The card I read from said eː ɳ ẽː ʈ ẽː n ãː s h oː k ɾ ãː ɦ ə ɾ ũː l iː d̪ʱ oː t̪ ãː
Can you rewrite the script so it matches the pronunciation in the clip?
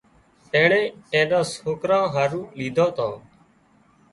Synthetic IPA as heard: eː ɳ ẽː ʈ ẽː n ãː s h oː k ɾ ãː ɦ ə ɾ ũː l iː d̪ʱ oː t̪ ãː